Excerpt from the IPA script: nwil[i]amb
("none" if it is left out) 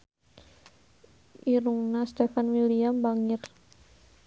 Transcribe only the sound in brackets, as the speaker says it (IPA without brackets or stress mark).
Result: i